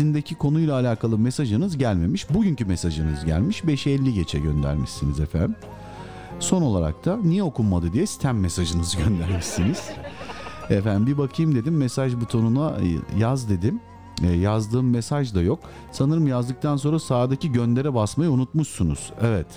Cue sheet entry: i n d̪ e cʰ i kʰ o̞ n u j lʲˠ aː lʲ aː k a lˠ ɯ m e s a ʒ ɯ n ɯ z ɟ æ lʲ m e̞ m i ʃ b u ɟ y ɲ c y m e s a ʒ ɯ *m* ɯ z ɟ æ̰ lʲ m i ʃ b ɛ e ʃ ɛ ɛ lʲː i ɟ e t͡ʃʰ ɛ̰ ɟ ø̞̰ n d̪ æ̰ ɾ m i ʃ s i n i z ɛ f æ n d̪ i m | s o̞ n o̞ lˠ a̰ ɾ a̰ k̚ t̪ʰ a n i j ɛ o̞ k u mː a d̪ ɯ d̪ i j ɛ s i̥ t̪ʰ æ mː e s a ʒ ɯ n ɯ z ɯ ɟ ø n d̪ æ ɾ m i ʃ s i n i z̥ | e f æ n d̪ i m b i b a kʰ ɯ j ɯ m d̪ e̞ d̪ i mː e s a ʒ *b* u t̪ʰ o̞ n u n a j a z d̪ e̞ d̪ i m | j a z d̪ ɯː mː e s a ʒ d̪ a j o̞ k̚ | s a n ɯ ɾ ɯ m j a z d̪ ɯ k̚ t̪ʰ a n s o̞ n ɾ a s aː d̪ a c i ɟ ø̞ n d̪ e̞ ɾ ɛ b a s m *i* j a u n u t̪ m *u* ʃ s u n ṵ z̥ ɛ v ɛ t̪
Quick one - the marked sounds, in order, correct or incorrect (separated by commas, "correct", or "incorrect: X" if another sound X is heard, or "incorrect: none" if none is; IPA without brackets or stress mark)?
incorrect: n, correct, incorrect: a, correct